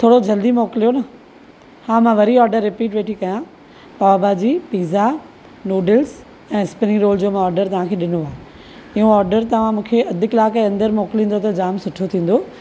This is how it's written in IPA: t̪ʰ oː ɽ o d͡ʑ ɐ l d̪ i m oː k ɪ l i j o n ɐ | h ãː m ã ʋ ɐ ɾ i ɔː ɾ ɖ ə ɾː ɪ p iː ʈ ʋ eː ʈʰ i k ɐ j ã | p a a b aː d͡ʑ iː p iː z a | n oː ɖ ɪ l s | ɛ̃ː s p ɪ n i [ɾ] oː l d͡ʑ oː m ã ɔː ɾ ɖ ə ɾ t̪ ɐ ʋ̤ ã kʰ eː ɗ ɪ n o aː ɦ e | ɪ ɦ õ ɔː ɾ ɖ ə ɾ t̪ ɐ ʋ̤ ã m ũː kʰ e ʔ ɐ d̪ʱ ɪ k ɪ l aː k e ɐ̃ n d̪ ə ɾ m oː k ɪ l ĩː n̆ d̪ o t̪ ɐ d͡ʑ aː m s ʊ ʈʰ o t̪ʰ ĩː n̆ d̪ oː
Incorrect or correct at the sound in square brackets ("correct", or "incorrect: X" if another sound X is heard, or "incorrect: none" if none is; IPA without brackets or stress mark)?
correct